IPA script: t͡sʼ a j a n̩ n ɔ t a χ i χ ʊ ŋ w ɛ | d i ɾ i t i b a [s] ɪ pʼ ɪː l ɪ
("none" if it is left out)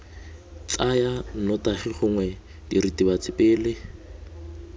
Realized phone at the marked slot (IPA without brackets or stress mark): t͡s